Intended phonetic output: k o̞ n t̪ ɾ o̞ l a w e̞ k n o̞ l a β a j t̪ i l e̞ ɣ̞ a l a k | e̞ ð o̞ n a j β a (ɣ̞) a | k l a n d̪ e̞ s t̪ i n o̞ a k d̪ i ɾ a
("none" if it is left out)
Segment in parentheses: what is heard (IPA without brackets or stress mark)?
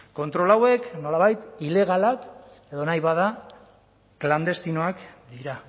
ð̞